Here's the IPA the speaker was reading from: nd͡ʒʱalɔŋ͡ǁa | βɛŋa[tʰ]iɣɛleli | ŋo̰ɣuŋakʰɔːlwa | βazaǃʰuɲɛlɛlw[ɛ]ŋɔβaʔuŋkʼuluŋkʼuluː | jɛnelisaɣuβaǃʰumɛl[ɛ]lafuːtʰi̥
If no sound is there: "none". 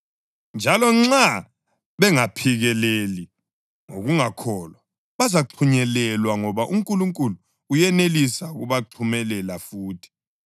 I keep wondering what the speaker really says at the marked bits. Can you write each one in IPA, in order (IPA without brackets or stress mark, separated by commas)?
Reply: pʰ, a, ɛ